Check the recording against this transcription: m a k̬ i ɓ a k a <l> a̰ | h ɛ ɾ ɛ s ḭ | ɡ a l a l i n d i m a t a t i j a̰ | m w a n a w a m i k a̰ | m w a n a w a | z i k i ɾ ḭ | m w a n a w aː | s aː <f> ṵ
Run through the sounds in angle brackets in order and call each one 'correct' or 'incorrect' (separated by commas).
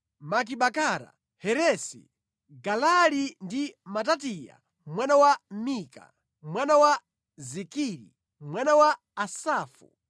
incorrect, correct